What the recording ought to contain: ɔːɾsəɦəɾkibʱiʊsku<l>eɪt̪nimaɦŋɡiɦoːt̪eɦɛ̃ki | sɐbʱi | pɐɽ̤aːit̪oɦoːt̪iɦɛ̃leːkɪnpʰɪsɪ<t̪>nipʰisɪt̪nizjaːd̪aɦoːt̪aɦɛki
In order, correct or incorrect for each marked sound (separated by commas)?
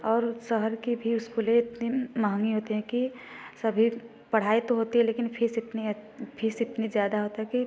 correct, correct